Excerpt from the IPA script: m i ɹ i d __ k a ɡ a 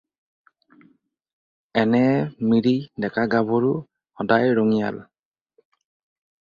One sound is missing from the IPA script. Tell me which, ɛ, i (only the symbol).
ɛ